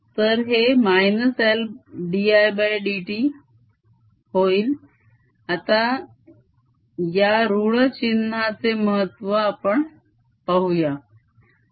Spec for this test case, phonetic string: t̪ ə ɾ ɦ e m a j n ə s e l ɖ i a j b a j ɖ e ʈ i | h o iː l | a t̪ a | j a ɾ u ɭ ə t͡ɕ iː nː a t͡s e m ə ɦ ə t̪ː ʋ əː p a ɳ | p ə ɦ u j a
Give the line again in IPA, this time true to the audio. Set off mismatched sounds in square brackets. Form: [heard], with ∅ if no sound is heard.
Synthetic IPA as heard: t̪ ə ɾ ɦ e m a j n ə s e l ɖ i a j b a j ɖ [i] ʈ i | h o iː l | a t̪ a | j a ɾ u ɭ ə t͡ɕ [i] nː a t͡s e m ə ɦ ə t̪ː ʋ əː p [ə] ɳ | p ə ɦ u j a